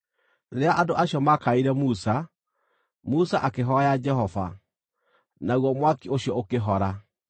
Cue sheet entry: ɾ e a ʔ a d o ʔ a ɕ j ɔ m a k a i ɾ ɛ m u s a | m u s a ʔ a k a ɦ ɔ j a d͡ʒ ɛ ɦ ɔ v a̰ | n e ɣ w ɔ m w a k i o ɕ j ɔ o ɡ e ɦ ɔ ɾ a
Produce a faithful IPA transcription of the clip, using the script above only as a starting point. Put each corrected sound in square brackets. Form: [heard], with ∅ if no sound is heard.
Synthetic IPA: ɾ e a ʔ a d o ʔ a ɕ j ɔ m a k a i ɾ ɛ m u s a | m u s a ʔ a k [e] ɦ ɔ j a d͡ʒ ɛ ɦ ɔ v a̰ | n [a] ɣ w ɔ m w a k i o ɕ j ɔ o [k] e ɦ ɔ ɾ a